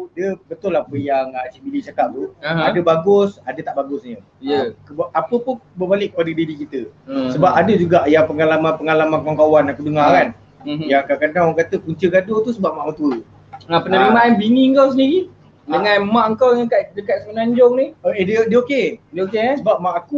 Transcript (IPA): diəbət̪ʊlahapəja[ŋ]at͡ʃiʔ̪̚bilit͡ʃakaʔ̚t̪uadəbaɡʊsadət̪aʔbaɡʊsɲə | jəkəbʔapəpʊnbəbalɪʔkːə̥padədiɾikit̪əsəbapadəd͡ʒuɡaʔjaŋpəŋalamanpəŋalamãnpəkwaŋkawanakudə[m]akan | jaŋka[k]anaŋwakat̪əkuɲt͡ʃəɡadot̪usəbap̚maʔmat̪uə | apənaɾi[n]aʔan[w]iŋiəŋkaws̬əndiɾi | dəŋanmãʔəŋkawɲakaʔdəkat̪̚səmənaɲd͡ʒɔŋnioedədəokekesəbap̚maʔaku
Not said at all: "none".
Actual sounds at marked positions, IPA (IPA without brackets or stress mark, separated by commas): ŋ, ŋ, k, m, b